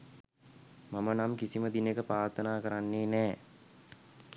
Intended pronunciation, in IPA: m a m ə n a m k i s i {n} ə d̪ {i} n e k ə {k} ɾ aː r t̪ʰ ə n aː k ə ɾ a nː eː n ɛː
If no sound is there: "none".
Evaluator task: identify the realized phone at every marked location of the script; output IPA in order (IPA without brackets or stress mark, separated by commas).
m, i, p